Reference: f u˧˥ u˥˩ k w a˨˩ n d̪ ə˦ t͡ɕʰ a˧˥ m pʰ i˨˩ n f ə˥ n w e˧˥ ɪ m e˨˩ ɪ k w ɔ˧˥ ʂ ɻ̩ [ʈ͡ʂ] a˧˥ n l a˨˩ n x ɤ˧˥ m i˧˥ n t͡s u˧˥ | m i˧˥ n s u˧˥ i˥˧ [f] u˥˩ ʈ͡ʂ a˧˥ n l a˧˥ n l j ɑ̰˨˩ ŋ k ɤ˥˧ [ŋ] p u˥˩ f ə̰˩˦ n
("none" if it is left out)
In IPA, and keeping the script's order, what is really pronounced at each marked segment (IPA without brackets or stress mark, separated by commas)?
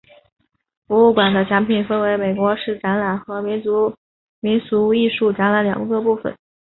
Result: ʈ͡ʂ, ʂ, none